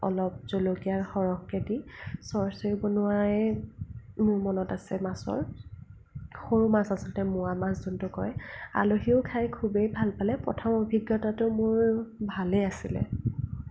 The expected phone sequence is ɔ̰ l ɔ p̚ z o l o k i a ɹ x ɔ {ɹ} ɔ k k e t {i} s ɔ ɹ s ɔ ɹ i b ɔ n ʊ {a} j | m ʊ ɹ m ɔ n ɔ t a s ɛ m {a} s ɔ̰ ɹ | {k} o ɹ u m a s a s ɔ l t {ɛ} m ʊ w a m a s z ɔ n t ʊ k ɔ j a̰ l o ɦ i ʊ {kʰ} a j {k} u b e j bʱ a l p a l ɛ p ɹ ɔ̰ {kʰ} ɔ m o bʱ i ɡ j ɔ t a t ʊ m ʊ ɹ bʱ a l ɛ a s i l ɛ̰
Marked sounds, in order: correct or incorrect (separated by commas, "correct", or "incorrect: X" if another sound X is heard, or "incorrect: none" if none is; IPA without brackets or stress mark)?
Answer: correct, correct, correct, correct, incorrect: x, correct, correct, incorrect: kʰ, incorrect: tʰ